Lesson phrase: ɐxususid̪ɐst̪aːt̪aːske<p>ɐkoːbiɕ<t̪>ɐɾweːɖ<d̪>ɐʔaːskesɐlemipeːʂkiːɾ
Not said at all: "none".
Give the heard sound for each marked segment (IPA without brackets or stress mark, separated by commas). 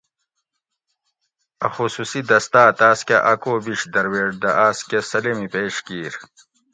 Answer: ʔ, d̪, d̪